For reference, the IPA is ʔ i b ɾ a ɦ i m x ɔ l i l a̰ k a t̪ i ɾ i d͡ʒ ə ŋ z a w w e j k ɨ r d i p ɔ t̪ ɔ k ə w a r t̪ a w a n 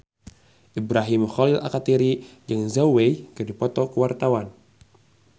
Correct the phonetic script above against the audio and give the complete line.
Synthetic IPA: ʔ i b ɾ a ɦ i m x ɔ l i l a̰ k a t̪ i ɾ i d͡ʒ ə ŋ z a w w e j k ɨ r d i p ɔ t̪ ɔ k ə w a r t̪ a w a n